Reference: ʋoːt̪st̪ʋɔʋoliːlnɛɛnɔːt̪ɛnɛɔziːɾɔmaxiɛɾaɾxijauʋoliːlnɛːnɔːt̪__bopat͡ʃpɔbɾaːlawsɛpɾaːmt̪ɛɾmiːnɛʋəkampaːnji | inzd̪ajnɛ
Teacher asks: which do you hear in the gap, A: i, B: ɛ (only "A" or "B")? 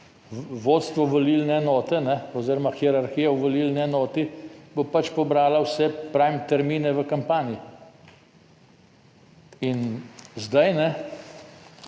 A